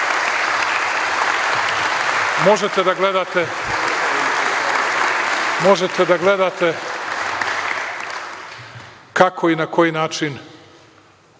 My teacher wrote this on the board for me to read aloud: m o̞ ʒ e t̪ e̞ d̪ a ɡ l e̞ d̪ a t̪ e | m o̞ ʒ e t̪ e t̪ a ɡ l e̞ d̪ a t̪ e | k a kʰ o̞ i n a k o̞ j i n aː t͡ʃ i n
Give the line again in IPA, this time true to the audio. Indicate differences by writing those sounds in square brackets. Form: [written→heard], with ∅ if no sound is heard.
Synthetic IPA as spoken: m o̞ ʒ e t̪ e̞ d̪ a ɡ l e̞ d̪ a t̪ e | m o̞ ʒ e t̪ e [t̪→d̪] a ɡ l e̞ d̪ a t̪ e | k a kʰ o̞ i n a k o̞ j i n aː t͡ʃ i n

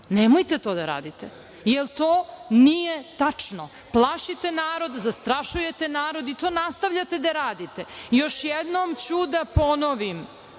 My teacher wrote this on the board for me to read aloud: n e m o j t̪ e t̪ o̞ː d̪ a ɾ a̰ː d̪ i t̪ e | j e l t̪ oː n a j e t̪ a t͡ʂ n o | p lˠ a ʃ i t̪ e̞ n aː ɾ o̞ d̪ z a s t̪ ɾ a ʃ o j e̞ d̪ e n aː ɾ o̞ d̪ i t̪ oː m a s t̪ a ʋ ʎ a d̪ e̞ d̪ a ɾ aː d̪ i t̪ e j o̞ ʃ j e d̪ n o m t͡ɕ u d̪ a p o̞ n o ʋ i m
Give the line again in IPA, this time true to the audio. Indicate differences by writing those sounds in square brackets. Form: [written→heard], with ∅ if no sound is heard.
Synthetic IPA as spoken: n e m o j t̪ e t̪ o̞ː d̪ a ɾ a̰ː d̪ i t̪ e | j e l t̪ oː n [a→i] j e t̪ a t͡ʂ n o | p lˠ a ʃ i t̪ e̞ n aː ɾ o̞ d̪ z a s t̪ ɾ a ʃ [o→u] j e̞ [d̪→t̪] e n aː ɾ o̞ d̪ i t̪ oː [m→n] a s t̪ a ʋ ʎ a [d̪→t̪] e̞ d̪ a ɾ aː d̪ i t̪ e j o̞ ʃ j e d̪ n o m t͡ɕ u d̪ a p o̞ n o ʋ i m

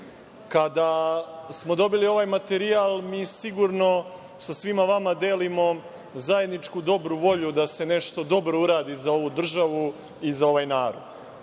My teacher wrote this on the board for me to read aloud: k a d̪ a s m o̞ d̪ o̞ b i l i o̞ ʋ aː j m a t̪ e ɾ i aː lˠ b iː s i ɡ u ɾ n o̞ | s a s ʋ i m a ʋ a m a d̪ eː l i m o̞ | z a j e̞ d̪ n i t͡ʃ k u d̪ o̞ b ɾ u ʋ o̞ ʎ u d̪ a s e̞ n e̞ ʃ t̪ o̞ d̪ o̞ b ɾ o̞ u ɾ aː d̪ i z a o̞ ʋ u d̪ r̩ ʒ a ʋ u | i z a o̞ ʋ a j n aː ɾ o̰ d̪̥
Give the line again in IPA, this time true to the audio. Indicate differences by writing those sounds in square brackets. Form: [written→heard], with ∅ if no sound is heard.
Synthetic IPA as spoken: k a d̪ a s m o̞ d̪ o̞ b i l i o̞ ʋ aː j m a t̪ e ɾ i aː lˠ [b→m] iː s i ɡ u ɾ n o̞ | s a s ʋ i m a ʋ a m a d̪ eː l i m o̞ | z a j e̞ d̪ n i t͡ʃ k u d̪ o̞ b ɾ u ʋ o̞ ʎ u d̪ a s e̞ n e̞ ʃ t̪ o̞ d̪ o̞ b ɾ o̞ u ɾ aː d̪ i z a o̞ ʋ u d̪ r̩ ʒ a ʋ u | i z a o̞ ʋ a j n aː ɾ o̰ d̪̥

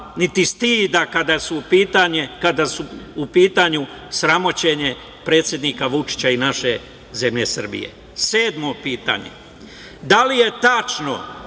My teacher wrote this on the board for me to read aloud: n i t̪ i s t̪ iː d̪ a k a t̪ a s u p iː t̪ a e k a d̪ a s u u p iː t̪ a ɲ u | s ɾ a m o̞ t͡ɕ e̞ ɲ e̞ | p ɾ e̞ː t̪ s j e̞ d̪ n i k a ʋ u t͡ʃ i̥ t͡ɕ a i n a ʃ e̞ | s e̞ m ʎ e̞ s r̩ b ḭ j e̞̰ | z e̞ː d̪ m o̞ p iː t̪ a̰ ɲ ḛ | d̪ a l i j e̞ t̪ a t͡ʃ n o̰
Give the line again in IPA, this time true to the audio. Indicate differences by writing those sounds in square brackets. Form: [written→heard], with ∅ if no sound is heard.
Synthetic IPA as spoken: n i t̪ i s t̪ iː d̪ a k a [t̪→d̪] a s u p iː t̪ a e k a d̪ a s u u p iː t̪ a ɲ u | s ɾ a m o̞ t͡ɕ e̞ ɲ e̞ | p ɾ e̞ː t̪ s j e̞ d̪ n i k a ʋ u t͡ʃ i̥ t͡ɕ a i n a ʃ e̞ | [s→z] e̞ m ʎ e̞ s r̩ b ḭ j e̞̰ | [z→s] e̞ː d̪ m o̞ p iː t̪ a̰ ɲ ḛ | d̪ a l i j e̞ t̪ a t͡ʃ n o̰

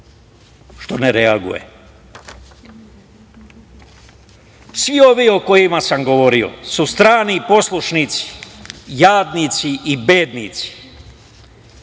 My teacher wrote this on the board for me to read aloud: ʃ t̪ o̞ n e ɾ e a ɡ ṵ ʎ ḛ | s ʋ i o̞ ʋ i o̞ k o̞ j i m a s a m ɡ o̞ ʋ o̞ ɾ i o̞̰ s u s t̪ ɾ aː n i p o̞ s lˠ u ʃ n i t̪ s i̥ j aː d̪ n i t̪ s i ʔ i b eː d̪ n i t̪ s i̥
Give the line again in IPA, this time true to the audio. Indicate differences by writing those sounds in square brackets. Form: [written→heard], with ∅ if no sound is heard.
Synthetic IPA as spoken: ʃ t̪ o̞ n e ɾ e a ɡ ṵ [ʎ→j] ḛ | s ʋ i o̞ ʋ i o̞ k o̞ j i m a s a m ɡ o̞ ʋ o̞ ɾ i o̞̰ s u s t̪ ɾ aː n i p o̞ s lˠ u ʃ n i t̪ s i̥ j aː d̪ n i t̪ s i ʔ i b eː d̪ n i t̪ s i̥

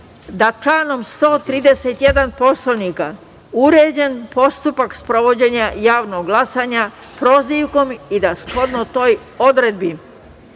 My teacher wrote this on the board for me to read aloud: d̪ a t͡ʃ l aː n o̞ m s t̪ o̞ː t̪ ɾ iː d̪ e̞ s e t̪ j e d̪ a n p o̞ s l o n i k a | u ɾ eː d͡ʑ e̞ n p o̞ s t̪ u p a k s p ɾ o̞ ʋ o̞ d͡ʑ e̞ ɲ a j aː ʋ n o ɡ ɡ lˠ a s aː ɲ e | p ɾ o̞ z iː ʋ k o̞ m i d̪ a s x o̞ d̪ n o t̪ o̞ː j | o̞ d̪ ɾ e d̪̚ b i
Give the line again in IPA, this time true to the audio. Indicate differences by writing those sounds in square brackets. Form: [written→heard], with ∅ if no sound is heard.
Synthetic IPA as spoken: d̪ a t͡ʃ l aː n o̞ m s t̪ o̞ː t̪ ɾ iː d̪ e̞ s e t̪ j e d̪ a n p o̞ s l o n i k a | u ɾ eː d͡ʑ e̞ n p o̞ s t̪ u p a k s p ɾ o̞ ʋ o̞ d͡ʑ e̞ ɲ a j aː ʋ n o ɡ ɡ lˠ a s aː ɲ [e→a] | p ɾ o̞ z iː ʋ k o̞ m i d̪ a s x o̞ d̪ n o t̪ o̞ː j | o̞ d̪ ɾ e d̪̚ b i

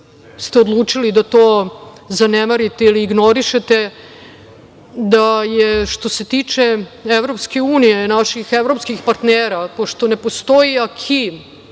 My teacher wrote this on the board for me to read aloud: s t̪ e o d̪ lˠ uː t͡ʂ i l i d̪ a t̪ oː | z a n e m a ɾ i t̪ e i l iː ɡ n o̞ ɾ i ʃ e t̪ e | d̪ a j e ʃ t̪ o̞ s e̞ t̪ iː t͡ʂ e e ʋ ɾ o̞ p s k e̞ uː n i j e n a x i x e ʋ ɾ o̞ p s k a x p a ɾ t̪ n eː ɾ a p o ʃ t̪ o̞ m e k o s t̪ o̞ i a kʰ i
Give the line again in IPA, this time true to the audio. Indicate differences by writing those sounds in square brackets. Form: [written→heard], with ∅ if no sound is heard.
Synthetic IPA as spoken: s t̪ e o d̪ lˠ uː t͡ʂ i l i d̪ a t̪ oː | z a n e m a ɾ i t̪ e i l iː ɡ n o̞ ɾ i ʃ e t̪ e | d̪ a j e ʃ t̪ o̞ s e̞ t̪ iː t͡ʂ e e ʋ ɾ o̞ p s k e̞ uː n i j e n a [x→ʃ] i x e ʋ ɾ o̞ p s k [a→i] x p a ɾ t̪ n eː ɾ a p o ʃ t̪ o̞ [m→n] e [k→p] o s t̪ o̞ i a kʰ i

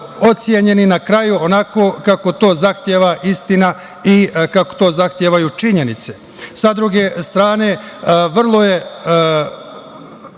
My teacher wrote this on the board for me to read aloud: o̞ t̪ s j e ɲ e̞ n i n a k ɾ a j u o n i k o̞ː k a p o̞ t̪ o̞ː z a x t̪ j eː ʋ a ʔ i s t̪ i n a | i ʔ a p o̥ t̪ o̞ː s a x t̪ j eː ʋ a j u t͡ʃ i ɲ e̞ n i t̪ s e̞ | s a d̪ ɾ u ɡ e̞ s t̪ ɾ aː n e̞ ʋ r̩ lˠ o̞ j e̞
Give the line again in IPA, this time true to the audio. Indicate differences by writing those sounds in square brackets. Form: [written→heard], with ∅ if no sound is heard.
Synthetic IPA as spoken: o̞ t̪ s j e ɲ e̞ n i n a k ɾ a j u o n [i→a] k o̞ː k a [p→k] o̞ t̪ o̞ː z a x t̪ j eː ʋ a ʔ i s t̪ i n a | i [ʔ→k] a [p→k] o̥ t̪ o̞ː [s→z] a x t̪ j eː ʋ a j u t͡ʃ i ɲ e̞ n i t̪ s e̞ | s a d̪ ɾ u ɡ e̞ s t̪ ɾ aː n e̞ ʋ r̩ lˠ o̞ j e̞

